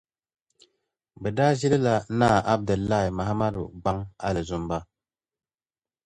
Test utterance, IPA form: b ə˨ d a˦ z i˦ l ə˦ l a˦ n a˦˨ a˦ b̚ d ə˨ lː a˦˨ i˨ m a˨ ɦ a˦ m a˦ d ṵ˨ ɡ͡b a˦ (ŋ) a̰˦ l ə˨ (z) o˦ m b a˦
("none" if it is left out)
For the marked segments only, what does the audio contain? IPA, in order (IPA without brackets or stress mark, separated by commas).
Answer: ŋ, z